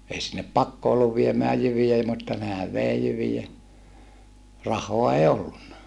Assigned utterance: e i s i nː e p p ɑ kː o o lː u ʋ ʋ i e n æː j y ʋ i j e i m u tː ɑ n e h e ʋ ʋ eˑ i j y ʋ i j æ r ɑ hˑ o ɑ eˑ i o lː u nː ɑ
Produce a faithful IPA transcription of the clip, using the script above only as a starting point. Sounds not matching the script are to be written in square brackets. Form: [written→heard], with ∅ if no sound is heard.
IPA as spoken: e i s i nː e p p ɑ kː o o lː u ʋ ʋ i e [n→m] æː j y ʋ i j e i m u tː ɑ n e h [e→æ] ʋ ʋ eˑ i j y ʋ i j æ r ɑ hˑ o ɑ eˑ i o lː u nː ɑ